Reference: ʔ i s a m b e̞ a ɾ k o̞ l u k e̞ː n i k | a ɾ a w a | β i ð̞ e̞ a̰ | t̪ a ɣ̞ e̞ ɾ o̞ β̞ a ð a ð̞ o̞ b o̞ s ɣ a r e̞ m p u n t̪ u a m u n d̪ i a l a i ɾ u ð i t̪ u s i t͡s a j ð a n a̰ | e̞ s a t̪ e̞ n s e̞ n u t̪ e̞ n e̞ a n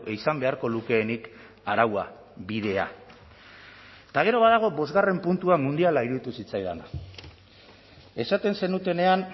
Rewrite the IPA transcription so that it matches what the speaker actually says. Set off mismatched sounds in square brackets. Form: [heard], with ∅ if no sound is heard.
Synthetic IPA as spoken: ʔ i s a m b e̞ a ɾ k o̞ l u k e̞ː n i k | a ɾ a w a | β i ð̞ e̞ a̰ | t̪ a ɣ̞ e̞ ɾ o̞ β̞ a ð a [ɣ̞] o̞ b o̞ [z] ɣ a r e̞ m p u n t̪ u a m u n d̪ i a l a i ɾ u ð i t̪ u s i t͡s a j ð a n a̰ | e̞ s a t̪ e̞ n s e̞ n u t̪ e̞ n e̞ a n